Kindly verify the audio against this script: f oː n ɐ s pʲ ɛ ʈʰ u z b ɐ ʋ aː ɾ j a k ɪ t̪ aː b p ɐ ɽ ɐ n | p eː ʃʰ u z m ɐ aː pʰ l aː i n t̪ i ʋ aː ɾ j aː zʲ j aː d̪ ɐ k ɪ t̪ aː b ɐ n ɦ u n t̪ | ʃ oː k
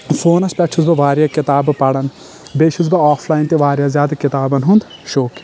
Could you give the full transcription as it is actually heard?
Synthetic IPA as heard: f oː n ɐ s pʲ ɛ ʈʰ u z b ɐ ʋ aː ɾ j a k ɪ t̪ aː b p ɐ ɽ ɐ n | b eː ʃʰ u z b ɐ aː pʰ l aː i n t̪ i ʋ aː ɾ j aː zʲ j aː d̪ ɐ k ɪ t̪ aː b ɐ n ɦ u n d̪ | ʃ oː k